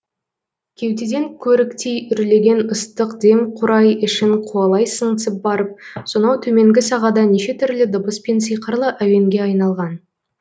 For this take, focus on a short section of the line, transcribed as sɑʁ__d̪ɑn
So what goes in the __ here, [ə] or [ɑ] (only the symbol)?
ɑ